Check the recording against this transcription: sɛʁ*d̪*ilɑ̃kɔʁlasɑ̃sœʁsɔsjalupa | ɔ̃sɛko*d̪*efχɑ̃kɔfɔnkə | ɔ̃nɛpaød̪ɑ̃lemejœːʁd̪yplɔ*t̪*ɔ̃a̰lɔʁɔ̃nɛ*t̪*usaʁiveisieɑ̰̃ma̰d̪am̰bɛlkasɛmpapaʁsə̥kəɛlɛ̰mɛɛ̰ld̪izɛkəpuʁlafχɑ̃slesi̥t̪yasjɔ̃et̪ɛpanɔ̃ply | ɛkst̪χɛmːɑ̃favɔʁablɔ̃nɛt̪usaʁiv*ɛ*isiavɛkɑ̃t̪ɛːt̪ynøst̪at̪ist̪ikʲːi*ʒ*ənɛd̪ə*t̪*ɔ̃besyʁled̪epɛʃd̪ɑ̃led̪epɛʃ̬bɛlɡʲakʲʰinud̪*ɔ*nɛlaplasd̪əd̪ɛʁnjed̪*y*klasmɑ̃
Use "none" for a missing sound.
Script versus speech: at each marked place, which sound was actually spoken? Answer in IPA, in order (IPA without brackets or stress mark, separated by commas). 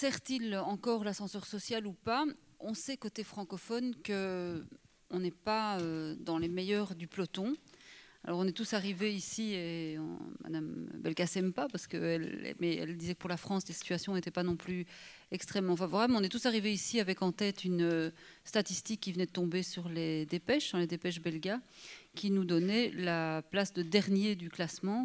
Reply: t̪, t̪, t̪, t̪, e, v, t̪, ɔ, y